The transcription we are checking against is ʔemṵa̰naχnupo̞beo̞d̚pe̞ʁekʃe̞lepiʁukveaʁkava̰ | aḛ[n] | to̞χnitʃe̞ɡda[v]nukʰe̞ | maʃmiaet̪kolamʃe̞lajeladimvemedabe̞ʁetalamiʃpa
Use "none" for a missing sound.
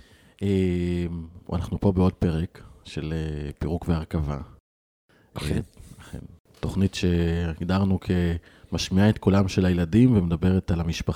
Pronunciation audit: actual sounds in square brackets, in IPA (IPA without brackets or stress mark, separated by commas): n, ʁ